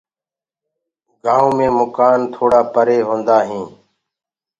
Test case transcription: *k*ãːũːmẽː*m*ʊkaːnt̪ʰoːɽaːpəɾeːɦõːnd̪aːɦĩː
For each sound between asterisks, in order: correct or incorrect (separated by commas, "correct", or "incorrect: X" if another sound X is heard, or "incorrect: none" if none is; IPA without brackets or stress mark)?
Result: incorrect: ɡ, correct